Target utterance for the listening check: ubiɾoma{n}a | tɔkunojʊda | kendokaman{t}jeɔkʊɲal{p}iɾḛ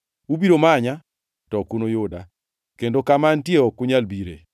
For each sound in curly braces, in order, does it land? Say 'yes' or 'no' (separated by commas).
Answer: no, yes, no